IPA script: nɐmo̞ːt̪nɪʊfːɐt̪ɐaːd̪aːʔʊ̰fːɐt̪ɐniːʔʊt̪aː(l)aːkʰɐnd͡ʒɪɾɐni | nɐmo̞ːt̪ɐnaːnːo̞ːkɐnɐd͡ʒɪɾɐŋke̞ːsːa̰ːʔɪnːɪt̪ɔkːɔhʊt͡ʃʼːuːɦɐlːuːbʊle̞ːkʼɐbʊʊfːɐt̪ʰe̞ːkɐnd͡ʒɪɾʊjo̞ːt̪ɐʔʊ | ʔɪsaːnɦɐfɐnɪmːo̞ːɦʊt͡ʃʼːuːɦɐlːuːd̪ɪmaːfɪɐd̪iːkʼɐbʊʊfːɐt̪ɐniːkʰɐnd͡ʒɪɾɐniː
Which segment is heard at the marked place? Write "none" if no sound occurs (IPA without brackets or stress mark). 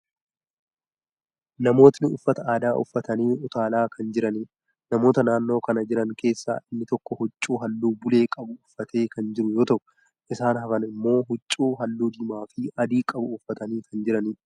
l